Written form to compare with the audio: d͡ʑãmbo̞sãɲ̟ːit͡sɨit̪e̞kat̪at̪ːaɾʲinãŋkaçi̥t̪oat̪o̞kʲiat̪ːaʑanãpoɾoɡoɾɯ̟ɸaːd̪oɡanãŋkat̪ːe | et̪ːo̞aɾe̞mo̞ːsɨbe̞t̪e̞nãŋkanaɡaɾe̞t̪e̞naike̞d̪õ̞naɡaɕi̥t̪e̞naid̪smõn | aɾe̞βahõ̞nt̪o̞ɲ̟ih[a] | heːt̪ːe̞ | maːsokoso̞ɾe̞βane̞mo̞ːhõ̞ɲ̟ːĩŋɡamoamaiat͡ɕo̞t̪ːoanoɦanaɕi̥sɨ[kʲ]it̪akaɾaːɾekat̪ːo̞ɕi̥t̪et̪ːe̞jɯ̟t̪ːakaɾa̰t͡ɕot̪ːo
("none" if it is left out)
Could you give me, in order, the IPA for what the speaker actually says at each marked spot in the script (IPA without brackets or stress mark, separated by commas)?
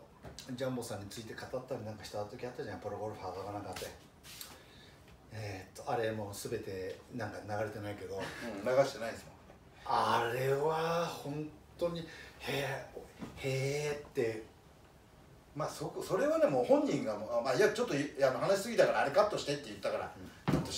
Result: e, ɡʲ